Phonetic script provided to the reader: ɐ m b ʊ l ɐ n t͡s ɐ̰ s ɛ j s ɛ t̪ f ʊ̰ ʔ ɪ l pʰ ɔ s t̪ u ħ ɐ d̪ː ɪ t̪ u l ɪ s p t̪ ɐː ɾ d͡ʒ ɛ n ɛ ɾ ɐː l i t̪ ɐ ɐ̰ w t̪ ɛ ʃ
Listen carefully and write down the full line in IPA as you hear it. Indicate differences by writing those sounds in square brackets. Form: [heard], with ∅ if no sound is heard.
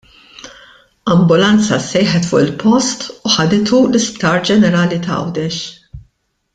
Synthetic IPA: ɐ m b ʊ l ɐ n t͡s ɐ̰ s ɛ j [ħ] ɛ t̪ f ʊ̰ ʔ ɪ l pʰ ɔ s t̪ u ħ ɐ [d̪] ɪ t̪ u l ɪ s p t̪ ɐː ɾ d͡ʒ ɛ n ɛ ɾ ɐː l i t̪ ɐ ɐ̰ w [d̪] ɛ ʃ